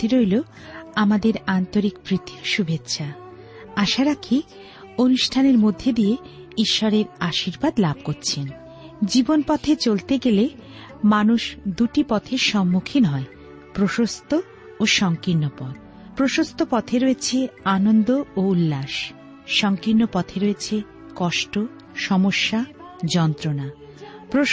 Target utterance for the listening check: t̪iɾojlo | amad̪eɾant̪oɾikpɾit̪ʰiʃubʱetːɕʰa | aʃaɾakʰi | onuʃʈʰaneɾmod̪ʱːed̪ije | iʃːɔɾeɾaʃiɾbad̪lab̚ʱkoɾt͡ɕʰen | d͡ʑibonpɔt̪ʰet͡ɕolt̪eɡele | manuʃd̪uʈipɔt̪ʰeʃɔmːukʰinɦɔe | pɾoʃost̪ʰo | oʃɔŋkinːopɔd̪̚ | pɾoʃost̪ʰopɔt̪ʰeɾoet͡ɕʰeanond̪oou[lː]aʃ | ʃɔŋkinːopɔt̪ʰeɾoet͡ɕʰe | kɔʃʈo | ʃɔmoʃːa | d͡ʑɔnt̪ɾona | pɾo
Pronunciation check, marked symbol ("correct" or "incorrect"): correct